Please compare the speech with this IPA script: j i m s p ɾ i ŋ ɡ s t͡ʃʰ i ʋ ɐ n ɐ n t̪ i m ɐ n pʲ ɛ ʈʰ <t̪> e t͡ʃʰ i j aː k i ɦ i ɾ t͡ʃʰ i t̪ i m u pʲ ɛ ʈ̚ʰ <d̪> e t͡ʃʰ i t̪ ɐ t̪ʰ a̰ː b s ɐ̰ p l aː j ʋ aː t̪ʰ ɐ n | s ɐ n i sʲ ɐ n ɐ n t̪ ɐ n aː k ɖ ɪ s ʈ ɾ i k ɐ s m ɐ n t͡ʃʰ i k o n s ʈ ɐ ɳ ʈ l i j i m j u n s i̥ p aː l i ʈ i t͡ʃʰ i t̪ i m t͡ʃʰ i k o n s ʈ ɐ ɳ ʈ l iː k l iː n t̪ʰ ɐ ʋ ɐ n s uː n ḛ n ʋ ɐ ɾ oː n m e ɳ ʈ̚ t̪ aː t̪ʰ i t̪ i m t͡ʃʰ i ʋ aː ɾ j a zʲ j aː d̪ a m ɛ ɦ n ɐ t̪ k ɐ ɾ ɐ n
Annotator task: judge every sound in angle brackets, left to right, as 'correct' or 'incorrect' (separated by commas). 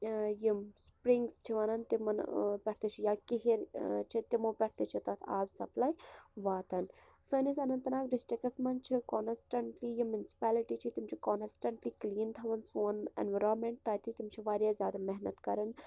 correct, incorrect